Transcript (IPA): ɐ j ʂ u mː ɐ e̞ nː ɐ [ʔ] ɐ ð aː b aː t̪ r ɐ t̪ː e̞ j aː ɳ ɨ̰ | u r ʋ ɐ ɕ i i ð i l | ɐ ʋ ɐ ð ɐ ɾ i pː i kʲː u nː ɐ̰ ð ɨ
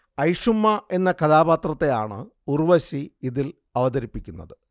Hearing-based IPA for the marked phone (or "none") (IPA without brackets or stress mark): k